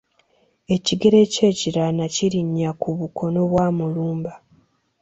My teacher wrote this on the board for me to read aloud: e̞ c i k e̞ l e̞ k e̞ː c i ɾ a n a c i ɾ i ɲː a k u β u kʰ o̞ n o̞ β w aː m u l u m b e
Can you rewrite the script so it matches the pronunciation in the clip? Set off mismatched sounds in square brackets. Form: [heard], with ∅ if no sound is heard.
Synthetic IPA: e̞ c i [ɡ] e̞ [ɾ] e̞ [c] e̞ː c i ɾ a n a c i ɾ i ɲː a k u β u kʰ o̞ n o̞ β w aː m u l [uː] m b [a]